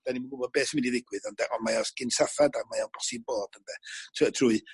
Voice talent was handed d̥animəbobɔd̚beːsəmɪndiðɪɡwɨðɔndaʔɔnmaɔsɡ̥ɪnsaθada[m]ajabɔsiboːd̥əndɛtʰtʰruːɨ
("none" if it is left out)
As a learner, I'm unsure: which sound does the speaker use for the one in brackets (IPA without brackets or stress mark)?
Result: m